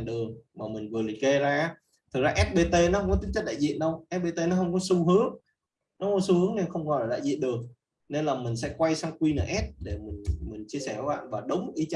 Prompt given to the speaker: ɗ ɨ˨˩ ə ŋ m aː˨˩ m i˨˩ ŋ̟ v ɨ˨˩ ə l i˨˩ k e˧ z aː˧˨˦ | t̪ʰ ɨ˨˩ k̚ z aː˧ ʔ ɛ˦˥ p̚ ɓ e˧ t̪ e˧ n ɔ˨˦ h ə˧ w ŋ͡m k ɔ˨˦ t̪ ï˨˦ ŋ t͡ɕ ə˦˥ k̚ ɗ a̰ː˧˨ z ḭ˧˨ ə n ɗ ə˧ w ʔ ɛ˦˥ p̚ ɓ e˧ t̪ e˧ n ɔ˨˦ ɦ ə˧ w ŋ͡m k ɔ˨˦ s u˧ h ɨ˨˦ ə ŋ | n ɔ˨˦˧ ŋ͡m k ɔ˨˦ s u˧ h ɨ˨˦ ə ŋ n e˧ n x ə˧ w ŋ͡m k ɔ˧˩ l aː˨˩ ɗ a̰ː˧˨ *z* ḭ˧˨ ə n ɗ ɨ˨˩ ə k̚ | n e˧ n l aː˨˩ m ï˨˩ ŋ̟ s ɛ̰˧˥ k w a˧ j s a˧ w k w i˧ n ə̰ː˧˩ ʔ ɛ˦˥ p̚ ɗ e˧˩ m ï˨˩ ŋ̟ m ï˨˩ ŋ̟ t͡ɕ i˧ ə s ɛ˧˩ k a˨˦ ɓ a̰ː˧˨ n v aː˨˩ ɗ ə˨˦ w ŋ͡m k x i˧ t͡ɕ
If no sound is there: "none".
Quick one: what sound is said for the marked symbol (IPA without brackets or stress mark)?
z